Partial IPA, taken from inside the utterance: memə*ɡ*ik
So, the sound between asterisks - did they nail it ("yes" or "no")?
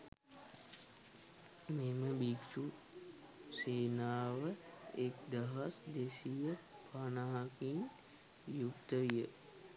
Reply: no